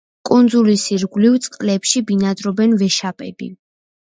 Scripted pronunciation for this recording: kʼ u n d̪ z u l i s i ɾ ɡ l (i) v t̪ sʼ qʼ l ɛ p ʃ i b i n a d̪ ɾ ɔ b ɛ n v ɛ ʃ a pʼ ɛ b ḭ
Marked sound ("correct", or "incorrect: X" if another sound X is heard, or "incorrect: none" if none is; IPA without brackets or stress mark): correct